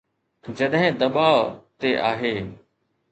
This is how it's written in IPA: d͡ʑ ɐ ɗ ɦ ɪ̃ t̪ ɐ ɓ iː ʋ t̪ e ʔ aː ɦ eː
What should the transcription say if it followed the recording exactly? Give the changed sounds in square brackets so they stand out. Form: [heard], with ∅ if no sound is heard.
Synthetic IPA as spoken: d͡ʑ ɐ ɗ ɦ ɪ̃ [d̪] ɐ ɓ [aː] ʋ t̪ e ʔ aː ɦ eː